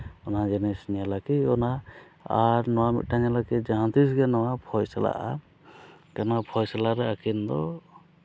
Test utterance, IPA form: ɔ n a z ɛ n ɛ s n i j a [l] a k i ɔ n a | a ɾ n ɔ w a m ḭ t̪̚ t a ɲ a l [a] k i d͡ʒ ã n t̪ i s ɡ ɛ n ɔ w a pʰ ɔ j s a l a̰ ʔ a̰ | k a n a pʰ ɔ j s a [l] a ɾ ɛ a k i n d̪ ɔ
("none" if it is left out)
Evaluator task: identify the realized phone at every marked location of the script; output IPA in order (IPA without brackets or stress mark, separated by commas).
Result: l, a, l